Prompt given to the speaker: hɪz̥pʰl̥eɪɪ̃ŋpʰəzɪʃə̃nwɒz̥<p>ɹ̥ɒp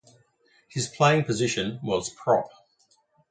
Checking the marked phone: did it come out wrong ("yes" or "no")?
yes